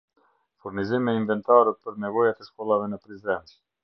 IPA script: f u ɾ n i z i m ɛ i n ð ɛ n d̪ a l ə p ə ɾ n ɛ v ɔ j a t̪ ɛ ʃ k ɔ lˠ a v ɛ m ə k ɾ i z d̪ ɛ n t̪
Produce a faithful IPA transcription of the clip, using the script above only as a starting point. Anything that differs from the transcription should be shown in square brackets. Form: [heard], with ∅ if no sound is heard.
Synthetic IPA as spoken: f u ɾ n i z i m ɛ i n [v] ɛ n [t̪] a [ɾ] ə p ə ɾ n ɛ v ɔ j a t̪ ɛ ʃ k ɔ lˠ a v ɛ [n] ə [p] ɾ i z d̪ ɛ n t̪